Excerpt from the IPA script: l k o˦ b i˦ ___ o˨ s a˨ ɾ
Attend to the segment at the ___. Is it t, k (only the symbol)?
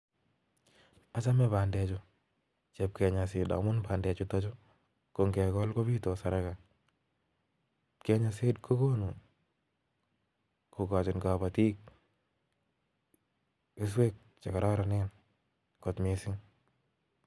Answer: t